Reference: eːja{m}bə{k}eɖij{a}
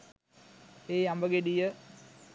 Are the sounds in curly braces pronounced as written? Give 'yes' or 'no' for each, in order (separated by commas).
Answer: yes, no, no